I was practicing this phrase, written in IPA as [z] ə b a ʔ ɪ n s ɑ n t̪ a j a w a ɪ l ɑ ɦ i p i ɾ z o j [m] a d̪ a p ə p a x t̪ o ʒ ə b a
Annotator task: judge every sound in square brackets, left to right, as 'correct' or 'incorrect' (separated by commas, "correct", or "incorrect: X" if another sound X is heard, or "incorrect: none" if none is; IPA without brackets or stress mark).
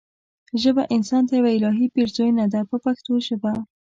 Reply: incorrect: ʒ, incorrect: n